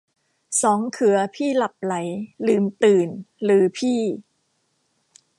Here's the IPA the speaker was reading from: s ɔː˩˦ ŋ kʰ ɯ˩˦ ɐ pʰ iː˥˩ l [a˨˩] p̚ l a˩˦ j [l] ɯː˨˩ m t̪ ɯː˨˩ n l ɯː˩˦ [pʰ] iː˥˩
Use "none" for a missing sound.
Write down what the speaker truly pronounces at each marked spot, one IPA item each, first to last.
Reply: a˨˩, l, pʰ

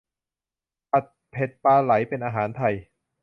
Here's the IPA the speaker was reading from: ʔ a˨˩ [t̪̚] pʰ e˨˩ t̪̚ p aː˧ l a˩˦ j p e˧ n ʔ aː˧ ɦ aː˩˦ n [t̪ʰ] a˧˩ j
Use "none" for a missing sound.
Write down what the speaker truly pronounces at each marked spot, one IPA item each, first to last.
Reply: t̪̚, t̪ʰ

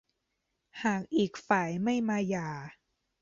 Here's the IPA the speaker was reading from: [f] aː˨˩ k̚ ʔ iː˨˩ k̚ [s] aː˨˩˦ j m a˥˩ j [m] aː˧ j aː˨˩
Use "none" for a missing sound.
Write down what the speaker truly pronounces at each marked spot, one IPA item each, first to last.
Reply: h, f, m

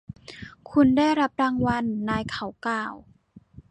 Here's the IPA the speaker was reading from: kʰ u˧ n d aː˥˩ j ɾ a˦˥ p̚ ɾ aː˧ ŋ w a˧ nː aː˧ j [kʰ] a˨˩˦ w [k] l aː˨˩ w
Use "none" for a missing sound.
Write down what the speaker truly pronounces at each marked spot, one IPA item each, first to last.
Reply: kʰ, k

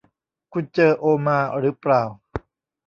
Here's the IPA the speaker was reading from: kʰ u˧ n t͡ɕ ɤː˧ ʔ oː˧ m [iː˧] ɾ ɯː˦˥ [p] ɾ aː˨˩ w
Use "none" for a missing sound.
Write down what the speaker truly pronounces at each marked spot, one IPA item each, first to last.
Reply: aː˧, p

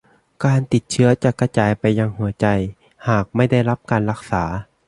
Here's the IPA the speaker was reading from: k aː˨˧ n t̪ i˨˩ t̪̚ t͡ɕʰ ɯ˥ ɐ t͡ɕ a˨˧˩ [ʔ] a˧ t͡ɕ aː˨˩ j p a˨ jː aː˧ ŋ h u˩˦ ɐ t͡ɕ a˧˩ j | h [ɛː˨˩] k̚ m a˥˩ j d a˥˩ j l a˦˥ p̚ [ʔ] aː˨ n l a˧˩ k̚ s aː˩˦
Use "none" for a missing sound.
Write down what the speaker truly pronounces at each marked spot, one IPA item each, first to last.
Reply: k, aː˨˩, k

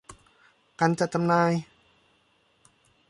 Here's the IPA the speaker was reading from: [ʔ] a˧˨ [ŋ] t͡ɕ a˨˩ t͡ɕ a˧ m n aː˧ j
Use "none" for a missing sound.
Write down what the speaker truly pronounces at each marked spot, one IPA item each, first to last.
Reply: k, n

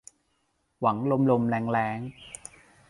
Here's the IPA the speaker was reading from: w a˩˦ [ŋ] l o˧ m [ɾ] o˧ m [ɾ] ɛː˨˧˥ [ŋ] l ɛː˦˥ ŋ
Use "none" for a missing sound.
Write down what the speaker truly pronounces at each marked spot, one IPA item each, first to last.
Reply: ŋ, l, l, ŋ

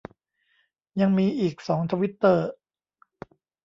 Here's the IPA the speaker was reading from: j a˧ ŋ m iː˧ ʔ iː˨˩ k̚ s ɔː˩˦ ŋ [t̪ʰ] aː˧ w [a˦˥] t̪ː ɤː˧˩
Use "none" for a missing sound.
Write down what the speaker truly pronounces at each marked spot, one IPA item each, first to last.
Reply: t̪ʰ, i˦˥

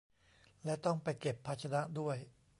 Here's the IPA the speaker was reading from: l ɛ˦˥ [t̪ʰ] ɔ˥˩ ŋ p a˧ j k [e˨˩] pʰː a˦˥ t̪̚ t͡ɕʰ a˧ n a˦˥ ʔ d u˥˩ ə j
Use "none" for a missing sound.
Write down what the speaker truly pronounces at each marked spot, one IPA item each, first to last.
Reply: t̪, e˨˩

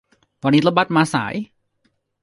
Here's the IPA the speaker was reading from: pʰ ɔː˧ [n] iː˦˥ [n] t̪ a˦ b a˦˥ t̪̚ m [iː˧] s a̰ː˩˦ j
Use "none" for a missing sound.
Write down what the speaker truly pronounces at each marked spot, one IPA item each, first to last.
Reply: n, none, aː˧

